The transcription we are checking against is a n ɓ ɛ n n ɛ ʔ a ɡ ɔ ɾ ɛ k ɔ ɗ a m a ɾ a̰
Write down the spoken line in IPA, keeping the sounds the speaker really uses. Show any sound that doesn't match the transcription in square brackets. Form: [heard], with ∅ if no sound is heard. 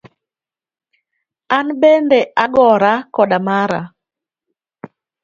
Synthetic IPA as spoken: a n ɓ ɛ n [d] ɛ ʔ a ɡ ɔ ɾ [a] k ɔ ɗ a m a ɾ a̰